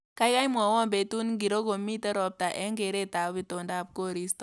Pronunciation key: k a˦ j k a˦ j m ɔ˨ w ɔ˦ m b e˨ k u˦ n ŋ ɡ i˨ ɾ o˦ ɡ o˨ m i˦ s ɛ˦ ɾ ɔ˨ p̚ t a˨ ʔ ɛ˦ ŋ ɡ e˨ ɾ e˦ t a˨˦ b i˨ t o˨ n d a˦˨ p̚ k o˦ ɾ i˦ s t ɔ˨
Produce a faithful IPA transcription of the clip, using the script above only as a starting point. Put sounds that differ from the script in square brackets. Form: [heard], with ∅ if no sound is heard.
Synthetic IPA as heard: k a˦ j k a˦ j m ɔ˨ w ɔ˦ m b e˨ [t] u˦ n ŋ ɡ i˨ ɾ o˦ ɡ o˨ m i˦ [t] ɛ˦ ɾ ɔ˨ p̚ t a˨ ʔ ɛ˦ ŋ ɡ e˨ ɾ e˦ t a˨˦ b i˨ t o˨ n d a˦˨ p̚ k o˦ ɾ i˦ s t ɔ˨